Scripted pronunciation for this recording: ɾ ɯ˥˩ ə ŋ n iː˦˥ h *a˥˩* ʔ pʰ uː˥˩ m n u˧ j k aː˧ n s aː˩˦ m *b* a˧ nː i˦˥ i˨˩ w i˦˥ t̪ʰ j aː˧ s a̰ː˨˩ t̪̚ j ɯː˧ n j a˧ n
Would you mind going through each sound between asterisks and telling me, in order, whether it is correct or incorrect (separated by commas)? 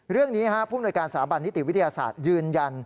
incorrect, correct